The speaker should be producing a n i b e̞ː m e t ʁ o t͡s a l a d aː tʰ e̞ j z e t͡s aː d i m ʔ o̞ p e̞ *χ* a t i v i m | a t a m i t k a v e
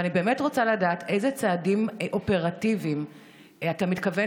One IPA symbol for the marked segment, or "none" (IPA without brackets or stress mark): ʁ